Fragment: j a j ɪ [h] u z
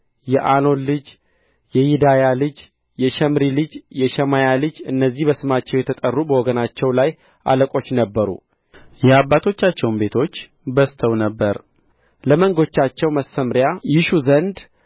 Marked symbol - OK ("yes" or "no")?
no